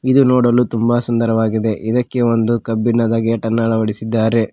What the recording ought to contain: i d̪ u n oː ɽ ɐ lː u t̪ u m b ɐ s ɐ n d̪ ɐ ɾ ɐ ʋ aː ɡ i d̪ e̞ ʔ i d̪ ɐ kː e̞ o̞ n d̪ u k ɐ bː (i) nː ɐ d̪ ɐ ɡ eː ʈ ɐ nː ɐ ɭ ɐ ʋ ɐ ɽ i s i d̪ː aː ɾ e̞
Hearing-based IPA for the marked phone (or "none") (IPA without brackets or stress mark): i